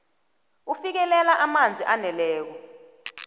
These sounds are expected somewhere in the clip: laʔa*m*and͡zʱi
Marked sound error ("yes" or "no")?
no